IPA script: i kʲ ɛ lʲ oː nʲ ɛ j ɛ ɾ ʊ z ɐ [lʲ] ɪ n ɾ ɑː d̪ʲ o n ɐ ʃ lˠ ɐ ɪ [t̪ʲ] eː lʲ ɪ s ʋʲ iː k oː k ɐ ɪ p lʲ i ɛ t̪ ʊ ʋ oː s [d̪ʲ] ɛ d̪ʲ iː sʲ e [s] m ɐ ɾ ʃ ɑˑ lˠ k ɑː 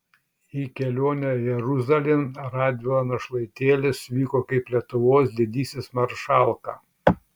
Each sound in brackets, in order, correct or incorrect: correct, correct, correct, correct

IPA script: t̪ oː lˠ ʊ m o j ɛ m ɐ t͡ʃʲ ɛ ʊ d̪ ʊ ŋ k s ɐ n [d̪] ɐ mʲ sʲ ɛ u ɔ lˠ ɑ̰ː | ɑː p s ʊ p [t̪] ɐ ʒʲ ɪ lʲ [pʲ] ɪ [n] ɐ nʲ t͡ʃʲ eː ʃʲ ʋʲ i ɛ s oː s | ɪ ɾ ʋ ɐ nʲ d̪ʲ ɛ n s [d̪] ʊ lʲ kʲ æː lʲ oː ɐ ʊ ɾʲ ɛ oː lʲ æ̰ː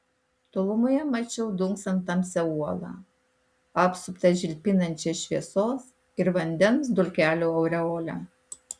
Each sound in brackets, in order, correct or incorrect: incorrect, correct, correct, correct, correct

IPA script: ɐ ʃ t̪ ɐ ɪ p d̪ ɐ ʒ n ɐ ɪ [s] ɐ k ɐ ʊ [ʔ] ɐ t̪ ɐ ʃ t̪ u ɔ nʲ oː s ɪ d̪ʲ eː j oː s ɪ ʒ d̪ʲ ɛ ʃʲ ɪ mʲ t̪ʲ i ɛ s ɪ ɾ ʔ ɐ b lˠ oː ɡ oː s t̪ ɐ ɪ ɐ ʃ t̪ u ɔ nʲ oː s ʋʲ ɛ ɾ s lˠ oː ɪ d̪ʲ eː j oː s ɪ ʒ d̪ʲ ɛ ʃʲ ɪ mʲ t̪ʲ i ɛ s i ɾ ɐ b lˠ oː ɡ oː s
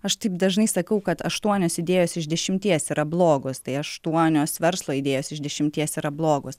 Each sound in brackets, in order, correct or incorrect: correct, incorrect

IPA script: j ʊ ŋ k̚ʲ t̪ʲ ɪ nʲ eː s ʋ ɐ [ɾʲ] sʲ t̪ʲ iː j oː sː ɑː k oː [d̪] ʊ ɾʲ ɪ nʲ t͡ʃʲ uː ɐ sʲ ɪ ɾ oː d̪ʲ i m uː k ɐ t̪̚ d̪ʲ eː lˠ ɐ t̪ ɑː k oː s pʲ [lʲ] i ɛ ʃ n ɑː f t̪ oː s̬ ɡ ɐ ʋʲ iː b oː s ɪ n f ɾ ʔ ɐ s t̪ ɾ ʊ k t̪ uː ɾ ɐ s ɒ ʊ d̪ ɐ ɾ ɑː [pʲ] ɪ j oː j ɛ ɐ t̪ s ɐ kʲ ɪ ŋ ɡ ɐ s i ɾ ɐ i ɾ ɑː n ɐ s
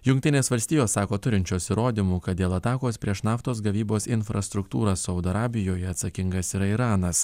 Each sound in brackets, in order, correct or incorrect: incorrect, incorrect, incorrect, incorrect

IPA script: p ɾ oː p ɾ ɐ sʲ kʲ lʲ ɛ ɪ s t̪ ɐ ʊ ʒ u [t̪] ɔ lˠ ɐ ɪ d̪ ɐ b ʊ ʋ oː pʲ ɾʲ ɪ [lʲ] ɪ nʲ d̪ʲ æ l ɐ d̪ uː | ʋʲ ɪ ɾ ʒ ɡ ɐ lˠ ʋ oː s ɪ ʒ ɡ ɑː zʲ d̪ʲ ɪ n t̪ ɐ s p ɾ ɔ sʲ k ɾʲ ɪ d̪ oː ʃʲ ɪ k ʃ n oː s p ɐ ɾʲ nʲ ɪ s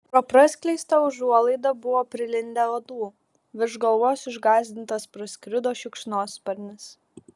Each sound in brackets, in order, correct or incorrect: incorrect, correct

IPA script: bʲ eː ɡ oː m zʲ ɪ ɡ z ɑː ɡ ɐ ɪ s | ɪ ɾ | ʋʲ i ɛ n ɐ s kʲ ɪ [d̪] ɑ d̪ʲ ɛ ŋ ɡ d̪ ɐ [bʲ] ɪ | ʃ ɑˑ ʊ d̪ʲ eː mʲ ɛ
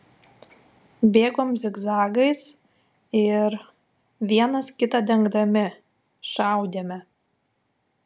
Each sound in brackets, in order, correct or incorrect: incorrect, incorrect

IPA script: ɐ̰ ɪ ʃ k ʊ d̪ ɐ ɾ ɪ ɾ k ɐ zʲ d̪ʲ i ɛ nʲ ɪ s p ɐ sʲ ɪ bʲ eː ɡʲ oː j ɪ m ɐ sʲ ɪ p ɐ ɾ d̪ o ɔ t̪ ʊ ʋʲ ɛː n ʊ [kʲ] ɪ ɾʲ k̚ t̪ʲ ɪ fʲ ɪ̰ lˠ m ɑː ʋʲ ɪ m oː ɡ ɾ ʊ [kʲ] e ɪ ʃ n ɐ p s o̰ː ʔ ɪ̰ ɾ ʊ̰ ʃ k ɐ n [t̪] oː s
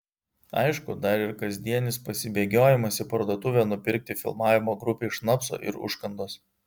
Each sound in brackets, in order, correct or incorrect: incorrect, incorrect, incorrect

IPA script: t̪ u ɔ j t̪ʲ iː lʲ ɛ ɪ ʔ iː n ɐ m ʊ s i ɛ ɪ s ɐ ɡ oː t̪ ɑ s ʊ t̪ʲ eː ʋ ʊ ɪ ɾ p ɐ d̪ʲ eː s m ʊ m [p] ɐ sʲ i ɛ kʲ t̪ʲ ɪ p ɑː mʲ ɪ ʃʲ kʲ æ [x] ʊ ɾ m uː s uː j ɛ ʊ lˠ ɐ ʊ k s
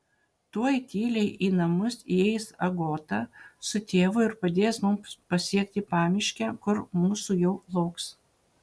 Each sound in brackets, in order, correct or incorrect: correct, incorrect

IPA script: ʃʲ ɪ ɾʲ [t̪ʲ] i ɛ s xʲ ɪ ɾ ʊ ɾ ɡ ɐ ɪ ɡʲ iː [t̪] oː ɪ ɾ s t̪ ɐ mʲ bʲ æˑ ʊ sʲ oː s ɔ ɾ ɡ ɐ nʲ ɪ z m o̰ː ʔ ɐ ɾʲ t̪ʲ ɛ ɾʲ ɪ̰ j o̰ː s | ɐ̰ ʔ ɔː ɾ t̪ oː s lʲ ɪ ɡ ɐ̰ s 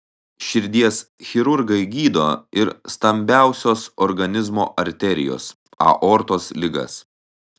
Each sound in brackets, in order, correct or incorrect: incorrect, incorrect

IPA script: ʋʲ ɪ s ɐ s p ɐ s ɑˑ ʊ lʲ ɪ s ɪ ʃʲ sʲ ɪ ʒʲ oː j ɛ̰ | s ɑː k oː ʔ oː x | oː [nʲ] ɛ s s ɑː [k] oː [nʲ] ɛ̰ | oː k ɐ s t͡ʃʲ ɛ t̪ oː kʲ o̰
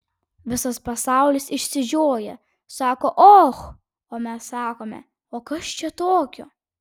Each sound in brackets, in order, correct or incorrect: incorrect, correct, incorrect

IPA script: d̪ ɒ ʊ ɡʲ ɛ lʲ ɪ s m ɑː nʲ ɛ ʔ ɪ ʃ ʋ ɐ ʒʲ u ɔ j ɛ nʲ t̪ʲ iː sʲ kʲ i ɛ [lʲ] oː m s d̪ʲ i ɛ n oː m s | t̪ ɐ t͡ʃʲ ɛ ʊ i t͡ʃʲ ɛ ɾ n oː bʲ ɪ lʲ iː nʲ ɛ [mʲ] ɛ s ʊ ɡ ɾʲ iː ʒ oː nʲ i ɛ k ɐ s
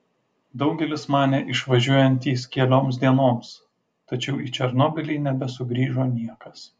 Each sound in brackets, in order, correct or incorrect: correct, incorrect

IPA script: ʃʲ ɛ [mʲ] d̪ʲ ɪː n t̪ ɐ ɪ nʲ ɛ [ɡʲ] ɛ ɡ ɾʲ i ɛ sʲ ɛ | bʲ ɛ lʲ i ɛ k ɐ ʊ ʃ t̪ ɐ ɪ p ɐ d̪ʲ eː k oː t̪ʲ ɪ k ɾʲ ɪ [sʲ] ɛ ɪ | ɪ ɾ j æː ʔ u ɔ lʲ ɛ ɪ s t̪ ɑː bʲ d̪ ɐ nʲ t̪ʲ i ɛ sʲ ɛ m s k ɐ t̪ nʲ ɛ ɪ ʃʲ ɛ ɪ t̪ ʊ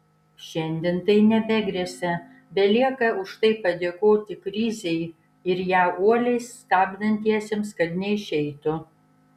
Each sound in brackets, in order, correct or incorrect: incorrect, incorrect, incorrect

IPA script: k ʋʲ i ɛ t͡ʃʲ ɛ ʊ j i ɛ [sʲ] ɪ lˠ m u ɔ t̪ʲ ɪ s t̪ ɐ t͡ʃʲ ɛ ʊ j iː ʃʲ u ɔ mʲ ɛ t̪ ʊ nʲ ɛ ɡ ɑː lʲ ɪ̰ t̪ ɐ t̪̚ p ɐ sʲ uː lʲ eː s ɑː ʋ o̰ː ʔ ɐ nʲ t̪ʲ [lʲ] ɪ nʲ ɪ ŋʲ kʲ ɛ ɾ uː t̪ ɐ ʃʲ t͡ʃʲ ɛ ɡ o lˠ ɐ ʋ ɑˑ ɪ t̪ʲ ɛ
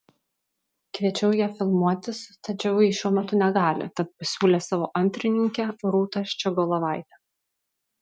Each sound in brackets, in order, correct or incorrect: incorrect, incorrect

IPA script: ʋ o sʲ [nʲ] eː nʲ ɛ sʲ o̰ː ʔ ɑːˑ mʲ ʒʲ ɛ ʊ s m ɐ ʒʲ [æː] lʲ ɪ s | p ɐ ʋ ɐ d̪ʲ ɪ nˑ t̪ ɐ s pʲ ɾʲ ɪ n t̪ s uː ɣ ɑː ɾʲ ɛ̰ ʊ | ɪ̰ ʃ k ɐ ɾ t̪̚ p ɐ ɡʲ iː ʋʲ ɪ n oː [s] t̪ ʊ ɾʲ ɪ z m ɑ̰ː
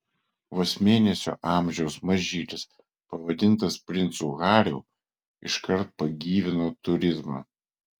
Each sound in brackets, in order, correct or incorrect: incorrect, incorrect, incorrect

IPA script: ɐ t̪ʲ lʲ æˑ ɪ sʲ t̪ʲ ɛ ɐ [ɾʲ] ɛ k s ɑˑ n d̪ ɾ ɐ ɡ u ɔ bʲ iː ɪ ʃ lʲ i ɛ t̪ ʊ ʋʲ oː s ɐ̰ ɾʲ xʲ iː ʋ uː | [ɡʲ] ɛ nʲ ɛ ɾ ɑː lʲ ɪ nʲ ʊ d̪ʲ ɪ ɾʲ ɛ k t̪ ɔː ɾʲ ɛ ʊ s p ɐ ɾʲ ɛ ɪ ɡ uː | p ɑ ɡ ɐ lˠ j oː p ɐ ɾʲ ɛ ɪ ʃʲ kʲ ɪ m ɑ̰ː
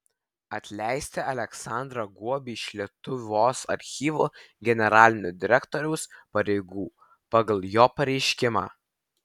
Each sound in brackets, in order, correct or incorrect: incorrect, correct

